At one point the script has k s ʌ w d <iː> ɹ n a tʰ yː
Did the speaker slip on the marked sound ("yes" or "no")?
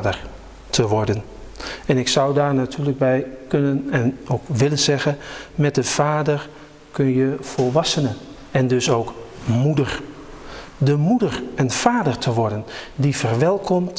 yes